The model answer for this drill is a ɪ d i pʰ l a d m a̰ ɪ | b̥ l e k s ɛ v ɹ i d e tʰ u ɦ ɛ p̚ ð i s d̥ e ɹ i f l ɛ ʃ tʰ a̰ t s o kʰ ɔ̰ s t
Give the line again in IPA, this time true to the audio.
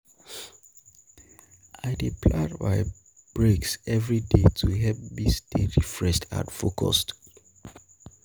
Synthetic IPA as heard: a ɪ d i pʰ l a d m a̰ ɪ | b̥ ɹ e k s ɛ v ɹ i d e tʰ u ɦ ɛ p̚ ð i s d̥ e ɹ i f ɹ ɛ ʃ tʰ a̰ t f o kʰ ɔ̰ s t